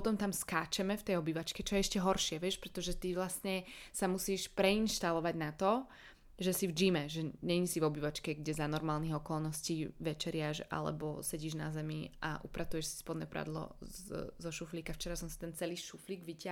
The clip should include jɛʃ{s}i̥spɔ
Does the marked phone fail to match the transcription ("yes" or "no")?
no